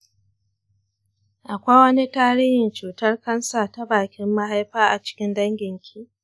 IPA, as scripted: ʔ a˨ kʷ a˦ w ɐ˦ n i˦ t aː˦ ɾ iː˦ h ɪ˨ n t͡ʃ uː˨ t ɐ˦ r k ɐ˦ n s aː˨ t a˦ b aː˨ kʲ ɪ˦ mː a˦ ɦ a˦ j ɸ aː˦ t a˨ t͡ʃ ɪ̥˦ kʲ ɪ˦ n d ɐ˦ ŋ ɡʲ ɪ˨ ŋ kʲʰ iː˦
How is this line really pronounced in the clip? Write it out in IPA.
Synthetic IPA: ʔ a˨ kʷ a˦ w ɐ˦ n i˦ t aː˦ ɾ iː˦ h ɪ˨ n t͡ʃ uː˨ t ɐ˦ r k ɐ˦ n s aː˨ t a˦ b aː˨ kʲ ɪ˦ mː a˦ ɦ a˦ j ɸ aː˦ ʔ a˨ t͡ʃ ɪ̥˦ kʲ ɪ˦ n d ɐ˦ ŋ ɡʲ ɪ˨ ŋ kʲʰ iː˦